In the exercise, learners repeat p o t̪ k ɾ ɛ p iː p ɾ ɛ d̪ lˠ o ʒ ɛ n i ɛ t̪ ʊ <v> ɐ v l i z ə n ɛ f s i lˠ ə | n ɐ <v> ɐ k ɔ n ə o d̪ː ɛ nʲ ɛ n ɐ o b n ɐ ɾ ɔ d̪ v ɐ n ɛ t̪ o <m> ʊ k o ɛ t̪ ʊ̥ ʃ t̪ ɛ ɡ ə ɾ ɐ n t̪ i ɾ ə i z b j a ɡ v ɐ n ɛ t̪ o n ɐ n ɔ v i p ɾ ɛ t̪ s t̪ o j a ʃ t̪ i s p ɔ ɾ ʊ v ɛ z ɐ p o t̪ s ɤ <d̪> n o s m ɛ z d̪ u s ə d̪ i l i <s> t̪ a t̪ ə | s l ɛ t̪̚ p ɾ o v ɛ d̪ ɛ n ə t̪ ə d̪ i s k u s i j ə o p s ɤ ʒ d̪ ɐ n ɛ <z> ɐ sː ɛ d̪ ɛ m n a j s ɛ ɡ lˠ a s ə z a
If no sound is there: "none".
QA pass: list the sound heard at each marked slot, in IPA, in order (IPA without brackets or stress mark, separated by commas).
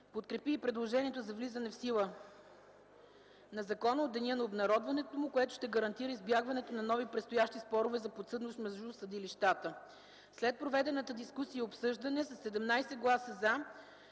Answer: z, z, m, d̪, ʃ, s